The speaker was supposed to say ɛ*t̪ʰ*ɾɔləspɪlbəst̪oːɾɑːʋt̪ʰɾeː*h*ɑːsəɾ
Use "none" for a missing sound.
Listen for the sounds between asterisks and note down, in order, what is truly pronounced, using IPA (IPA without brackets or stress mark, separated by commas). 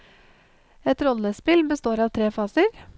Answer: t̪, f